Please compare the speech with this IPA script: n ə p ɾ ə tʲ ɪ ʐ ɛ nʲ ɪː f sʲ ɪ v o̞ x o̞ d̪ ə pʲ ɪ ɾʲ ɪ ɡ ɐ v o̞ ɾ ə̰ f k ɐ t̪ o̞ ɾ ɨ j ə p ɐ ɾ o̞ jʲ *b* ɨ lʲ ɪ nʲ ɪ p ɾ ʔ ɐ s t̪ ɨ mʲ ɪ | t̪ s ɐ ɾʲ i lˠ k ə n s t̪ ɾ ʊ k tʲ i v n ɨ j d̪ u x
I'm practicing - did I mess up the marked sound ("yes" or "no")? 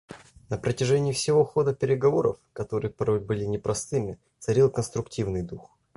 no